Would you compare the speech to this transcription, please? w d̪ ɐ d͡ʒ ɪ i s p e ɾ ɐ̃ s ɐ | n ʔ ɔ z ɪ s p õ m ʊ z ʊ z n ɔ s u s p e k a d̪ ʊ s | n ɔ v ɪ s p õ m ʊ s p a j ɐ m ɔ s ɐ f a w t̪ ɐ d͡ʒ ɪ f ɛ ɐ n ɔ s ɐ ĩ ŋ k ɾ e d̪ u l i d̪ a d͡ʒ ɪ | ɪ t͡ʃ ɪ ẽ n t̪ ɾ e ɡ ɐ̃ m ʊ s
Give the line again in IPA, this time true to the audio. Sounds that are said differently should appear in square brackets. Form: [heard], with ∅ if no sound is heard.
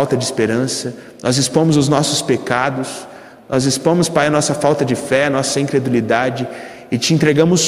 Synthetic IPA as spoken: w [t̪] ɐ d͡ʒ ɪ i s p e ɾ ɐ̃ s ɐ | n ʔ ɔ z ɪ s p õ m ʊ z ʊ z n ɔ s [ʊ] s p e k a d̪ ʊ s | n ɔ [z] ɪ s p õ m ʊ s p a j ɐ [n] ɔ s ɐ f a w t̪ ɐ d͡ʒ ɪ f ɛ ɐ n ɔ s ɐ ĩ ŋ k ɾ e d̪ u l i d̪ a d͡ʒ ɪ | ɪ t͡ʃ ɪ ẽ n t̪ ɾ e ɡ ɐ̃ m ʊ s